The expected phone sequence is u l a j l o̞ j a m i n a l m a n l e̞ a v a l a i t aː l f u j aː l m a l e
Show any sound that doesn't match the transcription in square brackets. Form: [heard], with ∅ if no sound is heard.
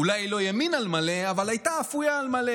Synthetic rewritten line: u l a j l o̞ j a m i n a l m a [∅] l e̞ a v a l a [j] t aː [∅] f u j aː l m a l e